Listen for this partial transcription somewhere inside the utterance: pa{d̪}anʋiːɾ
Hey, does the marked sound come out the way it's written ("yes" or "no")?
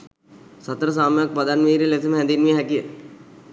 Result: yes